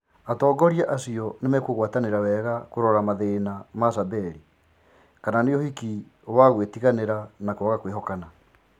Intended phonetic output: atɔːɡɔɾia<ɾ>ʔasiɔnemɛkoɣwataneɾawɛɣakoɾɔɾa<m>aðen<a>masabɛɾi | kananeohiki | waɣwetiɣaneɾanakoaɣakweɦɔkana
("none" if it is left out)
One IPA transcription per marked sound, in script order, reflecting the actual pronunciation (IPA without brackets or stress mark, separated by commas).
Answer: none, m, a